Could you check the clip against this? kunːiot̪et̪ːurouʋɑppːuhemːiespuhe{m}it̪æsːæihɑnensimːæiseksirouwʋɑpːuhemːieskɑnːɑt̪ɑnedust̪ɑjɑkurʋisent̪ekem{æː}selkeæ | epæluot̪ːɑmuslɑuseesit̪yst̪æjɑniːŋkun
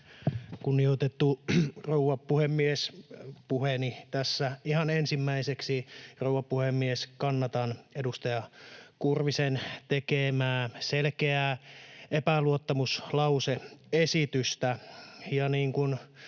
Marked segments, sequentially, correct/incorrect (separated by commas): incorrect, correct